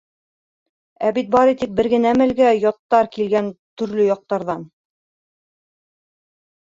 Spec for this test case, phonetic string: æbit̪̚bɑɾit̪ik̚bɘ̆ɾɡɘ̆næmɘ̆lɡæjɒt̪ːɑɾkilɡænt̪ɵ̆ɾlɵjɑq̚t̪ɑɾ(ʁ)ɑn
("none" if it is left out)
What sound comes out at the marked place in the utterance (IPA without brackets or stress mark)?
ð